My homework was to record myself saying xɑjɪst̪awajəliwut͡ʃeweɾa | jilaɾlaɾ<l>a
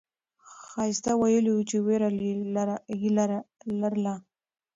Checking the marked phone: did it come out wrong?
no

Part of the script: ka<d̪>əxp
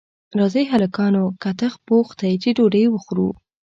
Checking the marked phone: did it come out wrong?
yes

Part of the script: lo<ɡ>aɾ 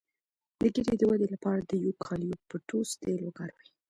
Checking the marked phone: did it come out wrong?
no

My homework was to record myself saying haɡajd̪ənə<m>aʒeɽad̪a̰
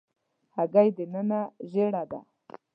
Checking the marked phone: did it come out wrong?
yes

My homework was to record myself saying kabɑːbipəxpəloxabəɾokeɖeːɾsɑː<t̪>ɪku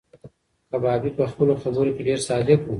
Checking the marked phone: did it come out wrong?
yes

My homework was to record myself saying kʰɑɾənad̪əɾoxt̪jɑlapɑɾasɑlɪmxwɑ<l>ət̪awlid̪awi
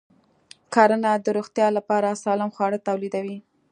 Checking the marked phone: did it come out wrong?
yes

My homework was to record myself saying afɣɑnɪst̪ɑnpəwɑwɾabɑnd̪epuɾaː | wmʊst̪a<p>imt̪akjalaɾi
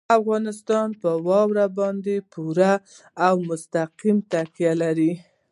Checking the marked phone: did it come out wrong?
yes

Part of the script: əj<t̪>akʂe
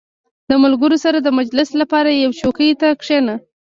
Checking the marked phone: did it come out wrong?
no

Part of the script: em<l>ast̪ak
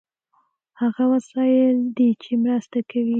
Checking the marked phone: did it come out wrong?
yes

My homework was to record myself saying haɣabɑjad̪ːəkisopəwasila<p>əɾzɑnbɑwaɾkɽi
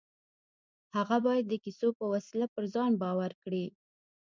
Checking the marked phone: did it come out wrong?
no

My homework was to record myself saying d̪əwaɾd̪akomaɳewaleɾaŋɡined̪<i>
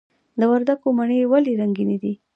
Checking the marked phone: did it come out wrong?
no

